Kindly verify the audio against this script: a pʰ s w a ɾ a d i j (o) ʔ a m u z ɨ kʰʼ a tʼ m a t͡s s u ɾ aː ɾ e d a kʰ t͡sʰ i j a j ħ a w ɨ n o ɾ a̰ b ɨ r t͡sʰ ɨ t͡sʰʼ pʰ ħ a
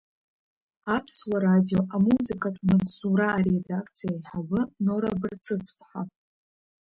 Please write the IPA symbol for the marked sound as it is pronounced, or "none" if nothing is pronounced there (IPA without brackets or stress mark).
o